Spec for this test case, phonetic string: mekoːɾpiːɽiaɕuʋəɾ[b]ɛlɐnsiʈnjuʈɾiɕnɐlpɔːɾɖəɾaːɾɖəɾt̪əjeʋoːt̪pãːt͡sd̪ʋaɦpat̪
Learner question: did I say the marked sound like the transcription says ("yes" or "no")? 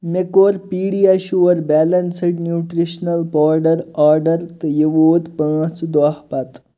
yes